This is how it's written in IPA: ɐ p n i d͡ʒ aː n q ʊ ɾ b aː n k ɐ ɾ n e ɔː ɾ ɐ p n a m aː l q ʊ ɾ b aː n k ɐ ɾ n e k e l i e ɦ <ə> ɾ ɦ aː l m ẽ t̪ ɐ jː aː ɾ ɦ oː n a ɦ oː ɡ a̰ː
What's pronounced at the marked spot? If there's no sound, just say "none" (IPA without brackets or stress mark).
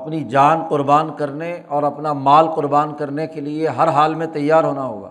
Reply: ɐ